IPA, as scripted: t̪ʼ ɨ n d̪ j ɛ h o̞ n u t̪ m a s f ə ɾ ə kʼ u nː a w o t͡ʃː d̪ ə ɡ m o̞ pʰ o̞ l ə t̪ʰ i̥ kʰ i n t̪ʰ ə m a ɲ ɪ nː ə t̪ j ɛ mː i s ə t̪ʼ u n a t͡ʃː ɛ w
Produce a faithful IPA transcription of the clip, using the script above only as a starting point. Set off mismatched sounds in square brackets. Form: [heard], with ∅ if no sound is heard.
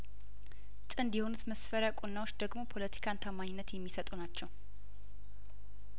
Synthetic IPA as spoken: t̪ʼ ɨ n d̪ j ɛ h o̞ n u t̪ m [ə] s f ə ɾ ə kʼ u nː a w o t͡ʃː d̪ ə ɡ m o̞ pʰ o̞ l ə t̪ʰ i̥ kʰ [a] n t̪ʰ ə m a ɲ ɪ nː ə t̪ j ɛ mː i s ə t̪ʼ u n a t͡ʃː ɛ w

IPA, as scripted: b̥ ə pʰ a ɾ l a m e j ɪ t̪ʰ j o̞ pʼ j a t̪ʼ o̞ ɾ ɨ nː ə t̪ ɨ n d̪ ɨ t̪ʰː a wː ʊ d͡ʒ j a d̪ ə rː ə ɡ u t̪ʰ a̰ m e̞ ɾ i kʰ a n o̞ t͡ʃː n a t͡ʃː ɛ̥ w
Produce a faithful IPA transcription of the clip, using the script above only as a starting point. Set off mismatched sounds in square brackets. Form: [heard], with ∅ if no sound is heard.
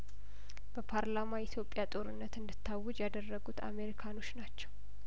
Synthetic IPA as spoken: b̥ ə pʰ a ɾ l a m [a] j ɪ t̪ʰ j o̞ pʼ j a t̪ʼ o̞ ɾ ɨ nː ə t̪ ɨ n d̪ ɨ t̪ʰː a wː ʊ d͡ʒ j a d̪ ə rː ə ɡ u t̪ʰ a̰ m e̞ ɾ i kʰ a n o̞ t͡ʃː n a t͡ʃː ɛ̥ w

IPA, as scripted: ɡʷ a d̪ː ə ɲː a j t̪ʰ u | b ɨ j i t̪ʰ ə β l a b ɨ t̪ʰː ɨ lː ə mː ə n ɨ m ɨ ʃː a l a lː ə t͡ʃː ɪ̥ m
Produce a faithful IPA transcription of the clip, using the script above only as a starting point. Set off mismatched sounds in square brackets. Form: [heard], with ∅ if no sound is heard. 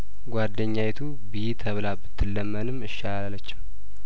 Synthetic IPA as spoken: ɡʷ a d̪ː ə ɲː a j t̪ʰ u | b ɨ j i t̪ʰ ə β l a b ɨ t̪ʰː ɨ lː ə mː ə n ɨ m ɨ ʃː a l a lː ə t͡ʃː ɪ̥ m

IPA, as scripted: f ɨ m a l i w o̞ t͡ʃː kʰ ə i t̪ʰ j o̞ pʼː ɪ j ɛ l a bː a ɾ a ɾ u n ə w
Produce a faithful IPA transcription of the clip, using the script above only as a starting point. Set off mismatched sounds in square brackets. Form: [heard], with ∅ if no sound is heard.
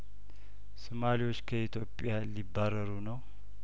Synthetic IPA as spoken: [s] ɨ m a l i w o̞ t͡ʃː kʰ ə i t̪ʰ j o̞ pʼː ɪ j [a] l [i] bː a ɾ [ə] ɾ u n ə w

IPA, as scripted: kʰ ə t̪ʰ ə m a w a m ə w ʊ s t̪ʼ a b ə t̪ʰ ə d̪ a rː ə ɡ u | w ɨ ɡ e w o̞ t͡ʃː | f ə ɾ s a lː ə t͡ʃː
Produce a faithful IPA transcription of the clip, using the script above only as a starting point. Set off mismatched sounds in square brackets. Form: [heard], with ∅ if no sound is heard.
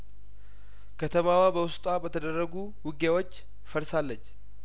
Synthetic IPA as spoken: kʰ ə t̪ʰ ə m a w a [b] ə w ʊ s t̪ʼ a b ə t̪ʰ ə d̪ [ə] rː ə ɡ u | w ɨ ɡ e w o̞ t͡ʃː | f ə ɾ s a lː ə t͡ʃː

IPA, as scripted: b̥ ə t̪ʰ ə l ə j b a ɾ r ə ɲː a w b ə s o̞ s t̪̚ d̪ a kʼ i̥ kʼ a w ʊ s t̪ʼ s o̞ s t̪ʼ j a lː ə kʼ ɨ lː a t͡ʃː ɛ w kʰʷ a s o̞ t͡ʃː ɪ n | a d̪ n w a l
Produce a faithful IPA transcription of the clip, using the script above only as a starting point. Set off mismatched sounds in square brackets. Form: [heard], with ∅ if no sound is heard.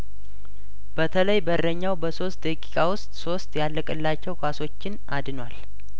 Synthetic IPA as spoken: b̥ ə t̪ʰ ə l ə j b [ə] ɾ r ə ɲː a w b ə s o̞ s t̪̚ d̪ [ə] kʼ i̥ kʼ a w ʊ s t̪ʼ s o̞ s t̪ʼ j a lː ə kʼ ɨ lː a t͡ʃː ɛ w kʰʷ a s o̞ t͡ʃː ɪ n | a d̪ n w a l

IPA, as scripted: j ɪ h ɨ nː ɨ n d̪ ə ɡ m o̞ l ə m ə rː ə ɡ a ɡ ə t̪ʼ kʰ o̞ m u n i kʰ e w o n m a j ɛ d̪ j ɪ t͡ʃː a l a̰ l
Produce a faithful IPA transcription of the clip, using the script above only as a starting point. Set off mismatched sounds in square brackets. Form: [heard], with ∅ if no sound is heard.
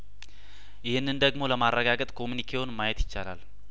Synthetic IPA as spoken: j ɪ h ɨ nː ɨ n d̪ ə ɡ m o̞ l ə m [a] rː ə ɡ a ɡ ə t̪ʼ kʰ o̞ m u n i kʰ e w o n m a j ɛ [t̪] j ɪ t͡ʃː a l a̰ l

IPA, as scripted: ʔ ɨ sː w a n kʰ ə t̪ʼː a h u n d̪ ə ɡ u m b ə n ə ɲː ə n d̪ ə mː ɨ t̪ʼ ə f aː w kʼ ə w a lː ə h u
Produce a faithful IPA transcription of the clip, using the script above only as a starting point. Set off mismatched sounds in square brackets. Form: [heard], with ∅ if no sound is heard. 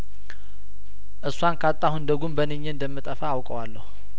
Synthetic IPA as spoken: ʔ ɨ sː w a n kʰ [a] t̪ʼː a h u n d̪ ə ɡ u m b ə n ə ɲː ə n d̪ ə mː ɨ t̪ʼ ə f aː w kʼ ə w a lː ə h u

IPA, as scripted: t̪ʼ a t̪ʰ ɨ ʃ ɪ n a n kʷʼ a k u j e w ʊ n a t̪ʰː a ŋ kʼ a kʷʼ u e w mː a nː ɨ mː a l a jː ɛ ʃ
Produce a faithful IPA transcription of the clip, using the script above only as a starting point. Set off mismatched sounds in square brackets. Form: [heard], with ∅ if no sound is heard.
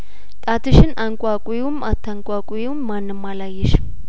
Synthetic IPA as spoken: t̪ʼ a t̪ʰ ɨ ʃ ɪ n a [ŋ] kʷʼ a [kʼ] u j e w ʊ [m] a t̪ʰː a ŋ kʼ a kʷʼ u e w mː a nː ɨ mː a l a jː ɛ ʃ

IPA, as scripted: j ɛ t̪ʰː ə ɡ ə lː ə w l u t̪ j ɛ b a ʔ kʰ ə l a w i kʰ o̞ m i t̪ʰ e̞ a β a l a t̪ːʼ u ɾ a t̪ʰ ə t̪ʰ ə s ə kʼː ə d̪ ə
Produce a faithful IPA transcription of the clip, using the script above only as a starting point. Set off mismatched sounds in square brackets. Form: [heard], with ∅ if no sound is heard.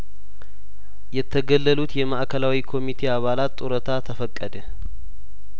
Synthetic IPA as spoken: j ɛ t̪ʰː ə ɡ ə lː ə [∅] l u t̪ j ɛ [m] a ʔ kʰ ə l a w i kʰ o̞ m i t̪ʰ e̞ a β a l a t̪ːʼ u ɾ [ə] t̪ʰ [a] t̪ʰ ə [f] ə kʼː ə d̪ ə

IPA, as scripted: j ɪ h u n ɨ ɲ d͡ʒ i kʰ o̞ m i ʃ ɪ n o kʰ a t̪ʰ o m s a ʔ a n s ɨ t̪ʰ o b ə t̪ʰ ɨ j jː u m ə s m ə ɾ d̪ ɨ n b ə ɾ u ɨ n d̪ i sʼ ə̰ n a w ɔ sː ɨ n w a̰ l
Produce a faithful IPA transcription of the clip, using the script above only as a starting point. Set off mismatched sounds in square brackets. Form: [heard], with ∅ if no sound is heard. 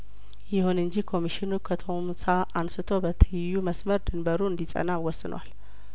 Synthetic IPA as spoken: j ɪ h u n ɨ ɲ d͡ʒ i kʰ o̞ m i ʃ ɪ n [u] kʰ [ə] t̪ʰ o m s a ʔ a n s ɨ t̪ʰ o b ə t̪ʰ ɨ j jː u m ə s m ə ɾ d̪ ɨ n b ə ɾ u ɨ n d̪ i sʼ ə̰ n a w ɔ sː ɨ n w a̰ l

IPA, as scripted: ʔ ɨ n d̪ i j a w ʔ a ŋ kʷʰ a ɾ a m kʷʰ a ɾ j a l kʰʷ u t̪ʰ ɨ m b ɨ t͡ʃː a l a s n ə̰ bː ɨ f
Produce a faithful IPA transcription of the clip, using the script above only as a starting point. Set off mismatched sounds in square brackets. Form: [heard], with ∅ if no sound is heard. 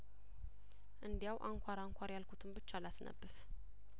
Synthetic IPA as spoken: ʔ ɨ n d̪ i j a w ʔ a ŋ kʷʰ a ɾ a [ŋ] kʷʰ a ɾ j a l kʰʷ u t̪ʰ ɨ m b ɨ t͡ʃː a l a s n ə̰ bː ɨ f

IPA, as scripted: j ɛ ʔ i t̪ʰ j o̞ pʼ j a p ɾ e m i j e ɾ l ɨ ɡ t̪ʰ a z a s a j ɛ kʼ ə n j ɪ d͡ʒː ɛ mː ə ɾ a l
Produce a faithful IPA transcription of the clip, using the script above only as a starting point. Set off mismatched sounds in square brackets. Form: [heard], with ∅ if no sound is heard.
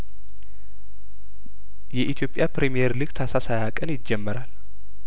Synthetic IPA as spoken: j ɛ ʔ i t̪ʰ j o̞ pʼ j a p ɾ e m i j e ɾ l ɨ ɡ t̪ʰ a [s] a s a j [a] kʼ ə n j ɪ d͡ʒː ɛ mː ə ɾ a l

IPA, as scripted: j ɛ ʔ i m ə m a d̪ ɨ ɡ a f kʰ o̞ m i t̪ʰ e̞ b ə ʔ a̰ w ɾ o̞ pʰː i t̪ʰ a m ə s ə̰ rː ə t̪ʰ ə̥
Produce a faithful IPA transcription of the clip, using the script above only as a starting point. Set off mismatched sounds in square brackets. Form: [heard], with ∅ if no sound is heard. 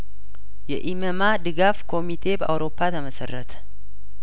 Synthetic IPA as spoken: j ɛ ʔ i m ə m a d̪ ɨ ɡ a f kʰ o̞ m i t̪ʰ e̞ b ə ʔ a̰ w ɾ o̞ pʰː [a] t̪ʰ [ə] m ə s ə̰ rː ə t̪ʰ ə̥

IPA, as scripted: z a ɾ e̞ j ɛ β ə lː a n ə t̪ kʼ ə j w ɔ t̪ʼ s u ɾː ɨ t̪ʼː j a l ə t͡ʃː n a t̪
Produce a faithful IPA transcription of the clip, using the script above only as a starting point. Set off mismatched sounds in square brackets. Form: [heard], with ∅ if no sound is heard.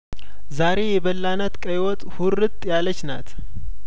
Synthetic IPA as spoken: z a ɾ e̞ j ɛ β ə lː a n ə t̪ kʼ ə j w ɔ t̪ʼ [h] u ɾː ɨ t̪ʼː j a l ə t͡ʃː n a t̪

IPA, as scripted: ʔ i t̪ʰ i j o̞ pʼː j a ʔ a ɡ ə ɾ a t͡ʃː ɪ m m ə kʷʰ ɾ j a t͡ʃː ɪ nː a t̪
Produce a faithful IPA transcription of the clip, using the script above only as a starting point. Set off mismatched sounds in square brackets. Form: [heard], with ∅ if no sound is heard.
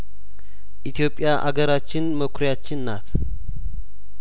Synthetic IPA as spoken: ʔ i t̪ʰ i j o̞ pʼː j a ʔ a ɡ ə ɾ a t͡ʃː ɪ [n] m ə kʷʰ ɾ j a t͡ʃː ɪ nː a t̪

